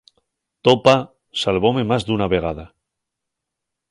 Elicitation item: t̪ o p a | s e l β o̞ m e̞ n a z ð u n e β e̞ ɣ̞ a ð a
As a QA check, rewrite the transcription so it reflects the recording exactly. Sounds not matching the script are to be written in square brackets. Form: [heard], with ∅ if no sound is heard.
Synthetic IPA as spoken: t̪ o p a | s [a] l β o̞ m e̞ [m] a z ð u n [a] β e̞ ɣ̞ a ð a